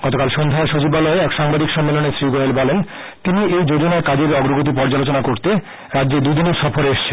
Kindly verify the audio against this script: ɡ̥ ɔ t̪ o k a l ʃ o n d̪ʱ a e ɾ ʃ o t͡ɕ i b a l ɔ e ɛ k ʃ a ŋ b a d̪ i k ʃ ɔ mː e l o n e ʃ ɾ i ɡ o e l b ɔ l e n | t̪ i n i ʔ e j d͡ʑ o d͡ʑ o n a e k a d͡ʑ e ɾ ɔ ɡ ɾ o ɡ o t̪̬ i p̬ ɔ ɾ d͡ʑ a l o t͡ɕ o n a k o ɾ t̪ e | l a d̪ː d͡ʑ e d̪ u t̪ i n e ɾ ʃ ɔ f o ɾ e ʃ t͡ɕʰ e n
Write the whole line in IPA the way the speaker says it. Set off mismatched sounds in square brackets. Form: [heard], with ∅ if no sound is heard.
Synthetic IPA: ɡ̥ ɔ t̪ o k a l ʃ o n d̪ʱ a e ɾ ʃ o t͡ɕ i b a l ɔ e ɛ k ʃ a ŋ b a d̪ i k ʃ ɔ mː e l o n e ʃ ɾ i ɡ o e l b ɔ l e n | t̪ i n i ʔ e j d͡ʑ o d͡ʑ o n a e k a d͡ʑ e ɾ ɔ ɡ ɾ o ɡ o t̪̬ i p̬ ɔ ɾ d͡ʑ a l o t͡ɕ o n a k o ɾ t̪ e | [ɾ] a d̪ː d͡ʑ e d̪ u [d̪] i n e ɾ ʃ ɔ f o ɾ e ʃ t͡ɕʰ e n